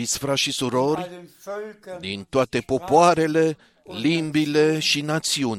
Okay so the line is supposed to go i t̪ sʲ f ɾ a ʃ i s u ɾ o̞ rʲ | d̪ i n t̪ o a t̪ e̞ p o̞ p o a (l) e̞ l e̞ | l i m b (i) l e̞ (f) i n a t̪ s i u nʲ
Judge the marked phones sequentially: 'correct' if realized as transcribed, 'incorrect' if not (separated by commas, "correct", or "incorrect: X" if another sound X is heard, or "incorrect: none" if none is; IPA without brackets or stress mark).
incorrect: ɾ, correct, incorrect: ʃ